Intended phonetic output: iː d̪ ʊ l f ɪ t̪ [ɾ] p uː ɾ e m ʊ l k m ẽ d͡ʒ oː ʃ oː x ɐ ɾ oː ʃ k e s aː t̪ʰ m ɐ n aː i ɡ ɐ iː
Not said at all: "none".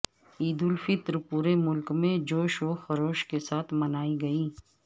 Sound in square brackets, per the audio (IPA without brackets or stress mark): ɾ